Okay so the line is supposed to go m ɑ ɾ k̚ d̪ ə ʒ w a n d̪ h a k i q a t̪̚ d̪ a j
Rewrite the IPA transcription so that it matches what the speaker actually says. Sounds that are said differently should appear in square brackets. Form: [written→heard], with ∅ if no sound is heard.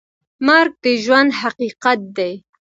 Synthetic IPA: m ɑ ɾ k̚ d̪ ə ʒ w a n d̪ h a [k→q] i q a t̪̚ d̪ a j